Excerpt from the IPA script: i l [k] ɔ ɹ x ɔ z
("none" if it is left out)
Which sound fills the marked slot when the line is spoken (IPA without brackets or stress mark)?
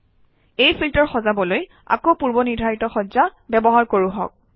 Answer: t